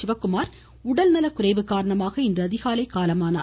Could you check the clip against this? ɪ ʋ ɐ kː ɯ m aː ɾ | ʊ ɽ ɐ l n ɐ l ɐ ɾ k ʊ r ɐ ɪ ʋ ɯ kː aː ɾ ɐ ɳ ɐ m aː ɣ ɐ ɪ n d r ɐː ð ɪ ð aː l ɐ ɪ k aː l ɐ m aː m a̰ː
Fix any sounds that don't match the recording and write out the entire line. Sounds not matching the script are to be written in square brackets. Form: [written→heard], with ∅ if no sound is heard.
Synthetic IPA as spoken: ɪ ʋ ɐ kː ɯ m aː ɾ | ʊ ɽ ɐ l n ɐ l ɐ [ɾ→∅] k ʊ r ɐ ɪ ʋ ɯ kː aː ɾ ɐ ɳ ɐ m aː ɣ ɐ ɪ n d r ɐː ð ɪ [ð→ɣ] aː l ɐ ɪ k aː l ɐ m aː [m→n] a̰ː